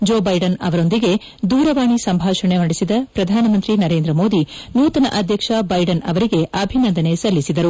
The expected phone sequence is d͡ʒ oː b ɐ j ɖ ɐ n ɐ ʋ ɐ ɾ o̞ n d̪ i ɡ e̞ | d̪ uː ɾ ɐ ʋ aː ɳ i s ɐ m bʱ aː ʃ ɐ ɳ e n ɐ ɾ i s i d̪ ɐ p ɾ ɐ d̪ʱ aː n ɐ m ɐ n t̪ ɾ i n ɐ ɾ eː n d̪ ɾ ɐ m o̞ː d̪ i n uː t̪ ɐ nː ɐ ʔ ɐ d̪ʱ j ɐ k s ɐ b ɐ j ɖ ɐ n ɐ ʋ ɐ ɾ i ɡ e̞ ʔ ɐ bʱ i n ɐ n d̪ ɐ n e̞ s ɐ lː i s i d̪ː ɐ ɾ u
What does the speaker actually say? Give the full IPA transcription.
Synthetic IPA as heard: d͡ʒ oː b ɐ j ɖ ɐ n ɐ ʋ ɐ ɾ o̞ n d̪ i ɡ e̞ | d̪ uː ɾ ɐ ʋ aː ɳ i s ɐ m bʱ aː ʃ ɐ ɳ e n ɐ ɽ i s i d̪ ɐ p ɾ ɐ d̪ʱ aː n ɐ m ɐ n t̪ ɾ i n ɐ ɾ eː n d̪ ɾ ɐ m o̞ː d̪ i n uː t̪ ɐ n ɐ ʔ ɐ d̪ʱ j ɐ k ʂ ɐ b ɐ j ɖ ɐ n ɐ ʋ ɐ ɾ i ɡ e̞ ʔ ɐ bʱ i n ɐ n d̪ ɐ n e̞ s ɐ lː i s i d̪ ɐ ɾ u